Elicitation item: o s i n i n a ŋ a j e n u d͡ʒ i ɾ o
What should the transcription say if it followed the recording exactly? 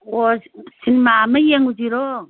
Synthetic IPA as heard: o s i n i m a m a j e ŋ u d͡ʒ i ɾ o

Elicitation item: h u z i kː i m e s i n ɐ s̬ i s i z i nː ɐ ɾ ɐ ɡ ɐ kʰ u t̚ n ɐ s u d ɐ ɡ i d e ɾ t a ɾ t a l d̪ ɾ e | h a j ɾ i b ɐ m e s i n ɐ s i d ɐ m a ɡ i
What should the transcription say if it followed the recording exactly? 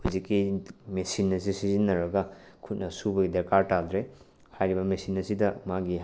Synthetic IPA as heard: h u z i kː i m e s i n ɐ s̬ i s i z i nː ɐ ɾ ɐ ɡ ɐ kʰ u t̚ n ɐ s u b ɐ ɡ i d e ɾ k a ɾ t a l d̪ ɾ e | h a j ɾ i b ɐ m e s i n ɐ s i d ɐ m a ɡ i

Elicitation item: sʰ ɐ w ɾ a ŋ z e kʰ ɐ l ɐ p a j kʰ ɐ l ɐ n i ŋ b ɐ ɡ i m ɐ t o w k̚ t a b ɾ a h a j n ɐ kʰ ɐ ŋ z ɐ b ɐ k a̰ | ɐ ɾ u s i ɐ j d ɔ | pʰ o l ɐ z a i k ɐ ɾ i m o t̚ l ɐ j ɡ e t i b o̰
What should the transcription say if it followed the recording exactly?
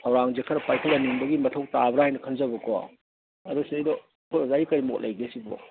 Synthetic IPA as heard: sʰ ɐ w ɾ a ŋ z e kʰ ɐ ɾ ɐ p a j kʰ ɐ l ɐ n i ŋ b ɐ ɡ i m ɐ tʰ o w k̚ t a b ɾ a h a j n ɐ kʰ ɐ n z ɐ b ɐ k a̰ | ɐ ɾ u s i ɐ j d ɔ | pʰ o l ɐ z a i k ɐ ɾ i m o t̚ l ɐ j ɡ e s i b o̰

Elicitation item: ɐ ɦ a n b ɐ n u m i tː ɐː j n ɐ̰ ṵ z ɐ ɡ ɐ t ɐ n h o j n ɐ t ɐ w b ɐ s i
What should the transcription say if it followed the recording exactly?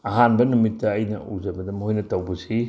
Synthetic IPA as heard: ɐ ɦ a n b ɐ n u m i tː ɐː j n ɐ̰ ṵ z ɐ b ɐ d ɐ m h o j n ɐ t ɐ w b ɐ s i

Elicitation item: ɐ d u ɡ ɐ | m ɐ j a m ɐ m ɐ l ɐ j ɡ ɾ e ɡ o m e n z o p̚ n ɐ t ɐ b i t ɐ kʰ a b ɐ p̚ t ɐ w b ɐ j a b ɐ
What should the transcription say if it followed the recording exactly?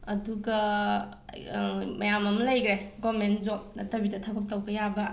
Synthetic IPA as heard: ɐ d u ɡ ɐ | m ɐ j a m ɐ m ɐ l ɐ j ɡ ɾ e ɡ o m e n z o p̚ n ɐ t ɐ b i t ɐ tʰ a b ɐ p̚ t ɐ w b ɐ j a b ɐ

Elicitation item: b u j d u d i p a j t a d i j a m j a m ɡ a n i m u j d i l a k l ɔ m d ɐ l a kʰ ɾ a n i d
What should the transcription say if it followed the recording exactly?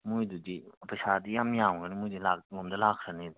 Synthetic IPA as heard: m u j d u d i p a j s a d i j a m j a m ɡ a n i m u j d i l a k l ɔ m d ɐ l a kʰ ɾ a n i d

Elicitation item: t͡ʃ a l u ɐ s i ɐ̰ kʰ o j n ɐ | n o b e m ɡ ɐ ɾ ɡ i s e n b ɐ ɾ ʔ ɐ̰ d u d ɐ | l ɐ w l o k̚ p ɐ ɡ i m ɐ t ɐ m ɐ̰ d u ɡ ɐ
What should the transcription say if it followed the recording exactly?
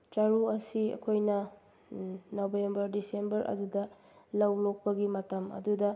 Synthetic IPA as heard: t͡ʃ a ɾ u ɐ s i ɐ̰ kʰ o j n ɐ | n o b e m b ɐ ɾ d i s e m b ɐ ɾ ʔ ɐ̰ d u d ɐ | l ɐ w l o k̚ p ɐ ɡ i m ɐ t ɐ m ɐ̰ d u d ɐ

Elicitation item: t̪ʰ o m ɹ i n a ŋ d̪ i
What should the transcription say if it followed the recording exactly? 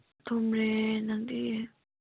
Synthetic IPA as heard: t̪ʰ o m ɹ e n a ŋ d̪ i

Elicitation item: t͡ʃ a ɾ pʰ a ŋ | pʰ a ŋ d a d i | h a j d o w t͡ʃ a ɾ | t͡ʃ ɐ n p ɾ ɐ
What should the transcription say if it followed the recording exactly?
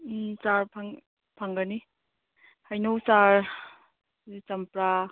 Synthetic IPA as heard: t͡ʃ a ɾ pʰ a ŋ | pʰ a ŋ ɡ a n i | h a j n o w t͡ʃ a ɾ | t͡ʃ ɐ m p ɾ a

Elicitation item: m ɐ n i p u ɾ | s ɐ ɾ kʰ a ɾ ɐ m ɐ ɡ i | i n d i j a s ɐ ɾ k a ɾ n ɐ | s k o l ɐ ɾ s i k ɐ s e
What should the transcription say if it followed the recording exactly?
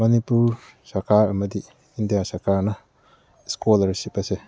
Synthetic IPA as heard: m ɐ n i p u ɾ | s ɐ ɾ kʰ a ɾ ɐ m ɐ d i | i n d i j a s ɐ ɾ k a ɾ n ɐ | s k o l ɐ ɾ s i p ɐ s e

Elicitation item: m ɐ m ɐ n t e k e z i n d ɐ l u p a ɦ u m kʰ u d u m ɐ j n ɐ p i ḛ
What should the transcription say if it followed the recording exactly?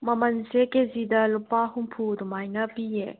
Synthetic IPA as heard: m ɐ m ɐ n s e k e z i d ɐ l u p a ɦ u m pʰ u d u m a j n ɐ p i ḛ

